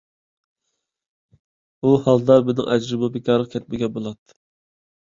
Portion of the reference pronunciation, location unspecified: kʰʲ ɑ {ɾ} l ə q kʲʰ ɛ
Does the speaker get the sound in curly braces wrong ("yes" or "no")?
no